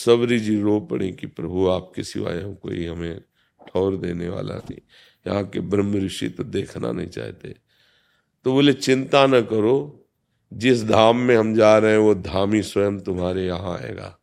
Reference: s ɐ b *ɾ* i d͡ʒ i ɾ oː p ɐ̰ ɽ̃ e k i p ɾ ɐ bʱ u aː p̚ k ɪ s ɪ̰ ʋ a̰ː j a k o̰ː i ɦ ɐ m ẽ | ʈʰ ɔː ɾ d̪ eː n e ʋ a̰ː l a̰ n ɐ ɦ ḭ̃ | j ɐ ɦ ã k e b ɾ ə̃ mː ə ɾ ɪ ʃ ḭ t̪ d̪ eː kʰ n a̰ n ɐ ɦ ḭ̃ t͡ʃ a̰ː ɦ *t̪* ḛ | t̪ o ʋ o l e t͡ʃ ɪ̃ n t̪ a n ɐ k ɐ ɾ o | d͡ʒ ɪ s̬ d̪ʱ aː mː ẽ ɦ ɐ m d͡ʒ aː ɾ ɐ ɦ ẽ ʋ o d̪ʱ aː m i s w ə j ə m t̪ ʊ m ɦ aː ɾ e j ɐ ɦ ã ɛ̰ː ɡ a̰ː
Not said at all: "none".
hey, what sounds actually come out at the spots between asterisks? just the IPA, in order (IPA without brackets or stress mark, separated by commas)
ɾ, t̪